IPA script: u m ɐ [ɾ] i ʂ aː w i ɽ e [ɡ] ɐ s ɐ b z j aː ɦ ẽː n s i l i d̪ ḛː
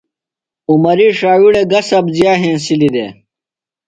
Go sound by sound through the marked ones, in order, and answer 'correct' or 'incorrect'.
correct, correct

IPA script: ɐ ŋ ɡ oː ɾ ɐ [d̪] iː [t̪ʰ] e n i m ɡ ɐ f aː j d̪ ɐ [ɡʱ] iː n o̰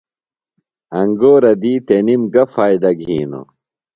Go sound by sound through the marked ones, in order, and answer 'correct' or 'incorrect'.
correct, incorrect: t̪, correct

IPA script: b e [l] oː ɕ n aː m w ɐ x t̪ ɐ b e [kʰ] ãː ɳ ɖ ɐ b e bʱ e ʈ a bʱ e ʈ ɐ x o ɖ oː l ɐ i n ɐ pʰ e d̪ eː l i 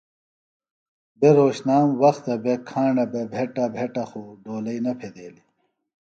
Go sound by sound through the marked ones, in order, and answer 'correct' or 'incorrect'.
incorrect: ɾ, correct

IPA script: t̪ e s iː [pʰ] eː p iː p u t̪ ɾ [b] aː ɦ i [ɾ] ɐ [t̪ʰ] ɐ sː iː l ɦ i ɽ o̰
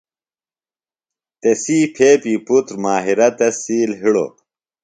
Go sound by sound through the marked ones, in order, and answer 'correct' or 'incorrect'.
correct, incorrect: m, correct, incorrect: t̪

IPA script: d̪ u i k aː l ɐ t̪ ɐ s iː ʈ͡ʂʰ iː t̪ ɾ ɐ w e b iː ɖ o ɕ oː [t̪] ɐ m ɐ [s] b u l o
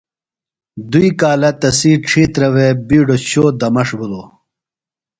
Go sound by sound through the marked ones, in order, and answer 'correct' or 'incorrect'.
incorrect: d̪, incorrect: ʂ

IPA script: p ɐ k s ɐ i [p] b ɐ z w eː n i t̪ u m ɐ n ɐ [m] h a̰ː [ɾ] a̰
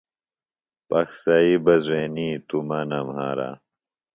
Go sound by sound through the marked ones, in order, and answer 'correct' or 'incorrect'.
incorrect: none, correct, correct

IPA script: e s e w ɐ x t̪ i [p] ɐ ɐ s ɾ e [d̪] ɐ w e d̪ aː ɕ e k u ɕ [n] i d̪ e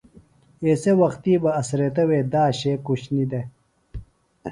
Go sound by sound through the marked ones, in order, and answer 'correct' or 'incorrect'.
incorrect: b, incorrect: t̪, correct

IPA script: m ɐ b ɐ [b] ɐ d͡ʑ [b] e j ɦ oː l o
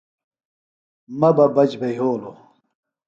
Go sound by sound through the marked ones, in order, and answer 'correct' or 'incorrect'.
correct, correct

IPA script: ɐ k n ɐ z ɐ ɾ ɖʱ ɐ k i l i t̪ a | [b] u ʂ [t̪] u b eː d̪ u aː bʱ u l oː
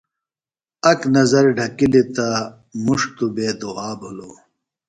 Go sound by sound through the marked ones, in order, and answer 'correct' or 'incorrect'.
incorrect: m, correct

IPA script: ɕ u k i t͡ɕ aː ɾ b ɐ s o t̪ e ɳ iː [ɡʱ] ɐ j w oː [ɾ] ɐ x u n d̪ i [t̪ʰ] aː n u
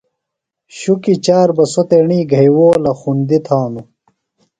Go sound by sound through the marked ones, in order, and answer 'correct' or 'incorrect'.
correct, incorrect: l, correct

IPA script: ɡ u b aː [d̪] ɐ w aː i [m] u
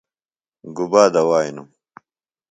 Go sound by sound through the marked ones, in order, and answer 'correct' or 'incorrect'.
correct, incorrect: n

